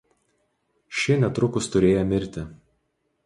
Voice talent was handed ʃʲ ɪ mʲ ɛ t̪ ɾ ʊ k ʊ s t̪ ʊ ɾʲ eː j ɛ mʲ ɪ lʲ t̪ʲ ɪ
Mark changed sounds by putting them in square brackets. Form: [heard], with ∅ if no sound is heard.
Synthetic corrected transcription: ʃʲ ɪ [nʲ] ɛ t̪ ɾ ʊ k ʊ s t̪ ʊ ɾʲ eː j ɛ mʲ ɪ [ɾʲ] t̪ʲ ɪ